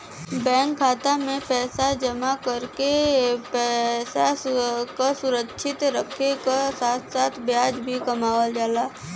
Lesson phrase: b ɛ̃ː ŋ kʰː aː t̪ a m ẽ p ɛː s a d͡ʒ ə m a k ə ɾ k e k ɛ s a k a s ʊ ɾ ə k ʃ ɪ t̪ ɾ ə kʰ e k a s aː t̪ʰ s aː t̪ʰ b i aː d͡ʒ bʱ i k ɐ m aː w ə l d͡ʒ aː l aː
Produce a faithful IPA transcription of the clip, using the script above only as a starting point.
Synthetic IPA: b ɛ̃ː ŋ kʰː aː t̪ a m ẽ p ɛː s a d͡ʒ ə m a k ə ɾ k e p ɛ s a k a s ʊ ɾ ə k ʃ ɪ t̪ ɾ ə kʰ e k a s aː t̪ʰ s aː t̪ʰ b j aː d͡ʒ bʱ i k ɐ m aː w ə l d͡ʒ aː l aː